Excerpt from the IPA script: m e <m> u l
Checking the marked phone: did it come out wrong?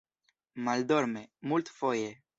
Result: no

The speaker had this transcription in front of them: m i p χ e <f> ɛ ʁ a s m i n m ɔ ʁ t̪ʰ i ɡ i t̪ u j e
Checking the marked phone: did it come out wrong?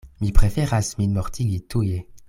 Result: no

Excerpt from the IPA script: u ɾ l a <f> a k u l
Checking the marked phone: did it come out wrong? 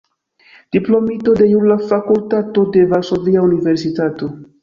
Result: no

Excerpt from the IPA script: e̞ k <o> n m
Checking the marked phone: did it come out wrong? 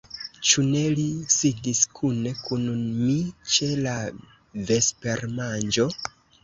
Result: yes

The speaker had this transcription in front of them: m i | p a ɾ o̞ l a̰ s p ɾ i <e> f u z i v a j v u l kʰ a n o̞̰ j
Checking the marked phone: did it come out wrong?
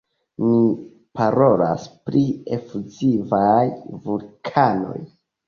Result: no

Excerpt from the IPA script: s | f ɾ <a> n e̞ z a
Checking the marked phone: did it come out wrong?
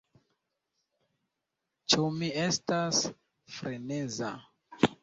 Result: yes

